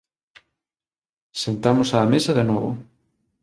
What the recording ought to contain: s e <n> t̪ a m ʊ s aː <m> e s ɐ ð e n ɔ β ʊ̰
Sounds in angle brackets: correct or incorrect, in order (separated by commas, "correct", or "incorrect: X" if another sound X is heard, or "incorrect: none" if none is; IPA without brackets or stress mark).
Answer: correct, correct